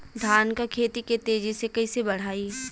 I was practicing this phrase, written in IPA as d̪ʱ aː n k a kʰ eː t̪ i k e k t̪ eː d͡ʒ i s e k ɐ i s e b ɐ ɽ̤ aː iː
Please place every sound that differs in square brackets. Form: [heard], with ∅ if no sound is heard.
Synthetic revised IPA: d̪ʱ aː n k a kʰ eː t̪ i k e [∅] t̪ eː d͡ʒ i s e k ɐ i s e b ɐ ɽ̤ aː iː